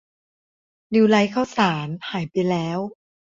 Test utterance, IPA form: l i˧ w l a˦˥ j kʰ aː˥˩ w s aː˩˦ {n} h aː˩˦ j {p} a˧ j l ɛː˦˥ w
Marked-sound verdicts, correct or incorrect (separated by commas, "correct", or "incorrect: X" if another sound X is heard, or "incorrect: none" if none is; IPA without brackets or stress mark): correct, correct